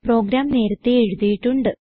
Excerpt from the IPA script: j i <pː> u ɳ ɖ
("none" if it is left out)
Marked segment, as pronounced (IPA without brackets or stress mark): ʈː